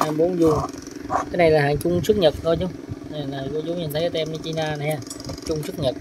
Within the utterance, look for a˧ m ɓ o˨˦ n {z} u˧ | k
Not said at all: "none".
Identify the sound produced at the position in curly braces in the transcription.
z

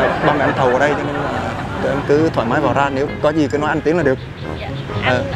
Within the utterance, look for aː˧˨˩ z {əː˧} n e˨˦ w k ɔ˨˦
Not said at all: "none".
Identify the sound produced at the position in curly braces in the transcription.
aː˧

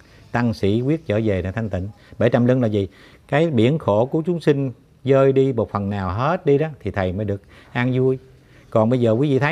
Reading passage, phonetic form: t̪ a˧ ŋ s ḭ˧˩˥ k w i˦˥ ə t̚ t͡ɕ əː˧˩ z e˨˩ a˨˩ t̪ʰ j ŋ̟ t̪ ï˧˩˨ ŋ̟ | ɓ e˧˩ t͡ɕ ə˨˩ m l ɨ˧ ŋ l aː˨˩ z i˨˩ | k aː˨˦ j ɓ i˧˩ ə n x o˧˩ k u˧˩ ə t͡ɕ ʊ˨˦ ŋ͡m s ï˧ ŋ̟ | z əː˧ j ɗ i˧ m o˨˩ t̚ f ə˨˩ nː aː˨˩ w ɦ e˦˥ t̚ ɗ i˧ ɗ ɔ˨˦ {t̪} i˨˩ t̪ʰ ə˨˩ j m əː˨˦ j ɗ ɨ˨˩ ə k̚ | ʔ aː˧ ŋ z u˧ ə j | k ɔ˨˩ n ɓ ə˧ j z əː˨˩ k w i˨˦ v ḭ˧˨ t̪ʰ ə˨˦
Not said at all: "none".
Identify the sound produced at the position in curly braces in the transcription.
t̪ʰ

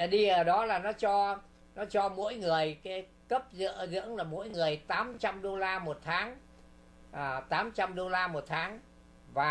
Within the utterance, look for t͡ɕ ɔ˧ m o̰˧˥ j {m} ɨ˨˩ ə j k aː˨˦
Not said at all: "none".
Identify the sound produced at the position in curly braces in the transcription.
ŋ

